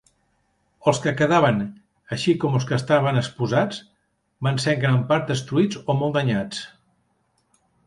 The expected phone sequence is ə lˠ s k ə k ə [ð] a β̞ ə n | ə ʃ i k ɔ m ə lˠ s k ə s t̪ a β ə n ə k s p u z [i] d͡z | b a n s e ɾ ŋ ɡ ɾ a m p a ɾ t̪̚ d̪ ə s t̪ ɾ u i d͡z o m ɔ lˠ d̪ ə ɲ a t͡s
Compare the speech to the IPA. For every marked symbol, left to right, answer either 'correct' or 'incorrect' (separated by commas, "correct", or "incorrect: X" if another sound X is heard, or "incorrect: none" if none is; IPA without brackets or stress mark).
correct, incorrect: a